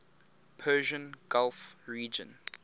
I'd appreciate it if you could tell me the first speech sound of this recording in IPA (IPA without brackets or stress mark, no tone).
pʰ